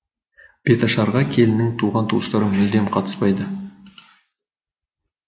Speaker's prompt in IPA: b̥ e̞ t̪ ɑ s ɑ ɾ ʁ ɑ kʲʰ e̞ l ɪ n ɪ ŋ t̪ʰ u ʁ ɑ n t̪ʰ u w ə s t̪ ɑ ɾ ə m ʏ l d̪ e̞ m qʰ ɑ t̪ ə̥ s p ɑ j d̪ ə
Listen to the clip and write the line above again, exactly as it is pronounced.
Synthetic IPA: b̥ e̞ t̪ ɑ ʃ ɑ ɾ ʁ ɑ kʲʰ e̞ l ɪ n ɪ ŋ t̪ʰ u ʁ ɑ n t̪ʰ u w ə s t̪ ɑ ɾ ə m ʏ l d̪ e̞ m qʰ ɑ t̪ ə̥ s p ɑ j d̪ ə